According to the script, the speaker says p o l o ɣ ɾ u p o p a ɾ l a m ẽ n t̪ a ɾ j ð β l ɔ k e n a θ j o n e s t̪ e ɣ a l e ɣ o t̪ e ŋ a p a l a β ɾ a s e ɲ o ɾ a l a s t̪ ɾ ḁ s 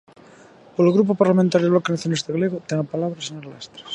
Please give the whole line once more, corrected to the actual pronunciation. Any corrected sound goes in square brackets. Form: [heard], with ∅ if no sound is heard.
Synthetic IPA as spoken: p o l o ɣ ɾ u p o p a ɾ l a m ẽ n t̪ a ɾ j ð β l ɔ k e n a θ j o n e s t̪ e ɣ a l e ɣ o t̪ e ŋ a p a l a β ɾ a s e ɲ o ɾ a l a s t̪ ɾ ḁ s